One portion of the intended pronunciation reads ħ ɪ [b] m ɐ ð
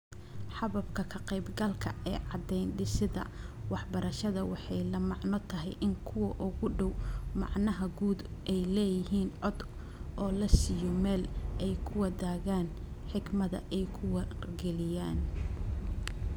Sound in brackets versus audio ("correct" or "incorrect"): incorrect